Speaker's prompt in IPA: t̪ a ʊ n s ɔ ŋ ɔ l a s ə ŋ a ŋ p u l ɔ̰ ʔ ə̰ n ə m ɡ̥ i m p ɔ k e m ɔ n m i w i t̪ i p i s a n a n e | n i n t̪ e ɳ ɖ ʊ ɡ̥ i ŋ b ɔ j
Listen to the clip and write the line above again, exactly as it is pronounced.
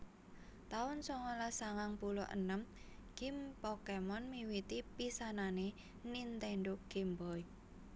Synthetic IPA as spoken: t̪ a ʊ n s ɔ ŋ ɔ l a s a ŋ a ŋ p u l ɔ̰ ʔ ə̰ n ə m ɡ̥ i m p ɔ k e m ɔ n m i w i t̪ i p i s a n a n e | n i n t̪ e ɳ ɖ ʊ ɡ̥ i m b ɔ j